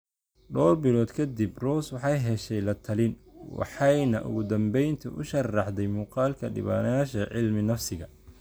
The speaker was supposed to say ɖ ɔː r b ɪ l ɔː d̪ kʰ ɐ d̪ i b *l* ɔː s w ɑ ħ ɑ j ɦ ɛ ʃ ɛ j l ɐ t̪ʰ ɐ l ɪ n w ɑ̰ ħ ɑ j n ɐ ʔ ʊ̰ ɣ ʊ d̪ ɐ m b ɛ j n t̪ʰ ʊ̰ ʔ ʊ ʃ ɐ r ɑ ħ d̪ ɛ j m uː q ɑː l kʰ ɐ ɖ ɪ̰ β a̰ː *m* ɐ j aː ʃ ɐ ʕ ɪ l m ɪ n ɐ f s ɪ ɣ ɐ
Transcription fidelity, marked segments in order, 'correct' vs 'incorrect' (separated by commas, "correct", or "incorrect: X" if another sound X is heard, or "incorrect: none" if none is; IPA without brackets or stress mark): incorrect: r, incorrect: n